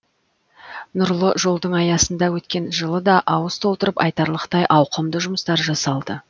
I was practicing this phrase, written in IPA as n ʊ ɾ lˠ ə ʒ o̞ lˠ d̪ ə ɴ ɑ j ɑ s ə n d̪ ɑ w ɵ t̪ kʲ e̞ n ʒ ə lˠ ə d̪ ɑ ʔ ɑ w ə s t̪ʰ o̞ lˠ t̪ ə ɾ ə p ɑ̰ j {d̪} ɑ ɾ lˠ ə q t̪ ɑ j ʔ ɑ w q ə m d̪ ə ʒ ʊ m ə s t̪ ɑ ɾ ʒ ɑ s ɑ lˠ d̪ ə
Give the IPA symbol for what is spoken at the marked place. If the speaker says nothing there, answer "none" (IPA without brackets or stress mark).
t̪